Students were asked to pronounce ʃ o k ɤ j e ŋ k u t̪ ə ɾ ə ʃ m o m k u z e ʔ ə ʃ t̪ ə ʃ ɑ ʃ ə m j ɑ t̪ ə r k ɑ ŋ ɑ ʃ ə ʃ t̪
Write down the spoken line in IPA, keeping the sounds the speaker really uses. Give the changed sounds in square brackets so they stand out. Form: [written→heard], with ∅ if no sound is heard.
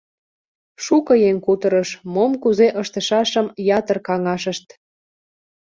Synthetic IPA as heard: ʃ [o→u] k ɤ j e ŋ k u t̪ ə ɾ ə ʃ m o m k u z e ʔ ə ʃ t̪ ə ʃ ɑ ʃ ə m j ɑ t̪ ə r k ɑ ŋ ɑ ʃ ə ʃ t̪